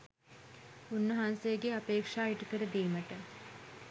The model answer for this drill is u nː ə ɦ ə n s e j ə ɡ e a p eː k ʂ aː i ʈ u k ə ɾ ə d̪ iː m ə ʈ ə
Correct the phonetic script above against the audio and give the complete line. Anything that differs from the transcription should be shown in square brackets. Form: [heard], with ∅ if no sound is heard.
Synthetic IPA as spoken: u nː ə ɦ [a] n s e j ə ɡ e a p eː k ʂ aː i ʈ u k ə ɾ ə d̪ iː m ə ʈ ə